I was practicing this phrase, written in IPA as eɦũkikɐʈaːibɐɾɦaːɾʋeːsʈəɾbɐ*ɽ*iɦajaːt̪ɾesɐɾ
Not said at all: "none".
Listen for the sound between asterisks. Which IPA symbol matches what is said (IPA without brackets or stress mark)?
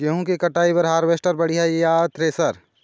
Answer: ɽ